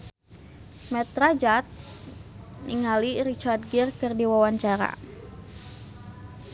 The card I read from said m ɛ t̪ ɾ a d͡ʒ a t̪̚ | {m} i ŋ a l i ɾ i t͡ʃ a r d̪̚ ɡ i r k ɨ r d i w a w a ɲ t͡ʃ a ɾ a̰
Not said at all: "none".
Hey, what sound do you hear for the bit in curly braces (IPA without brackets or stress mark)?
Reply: n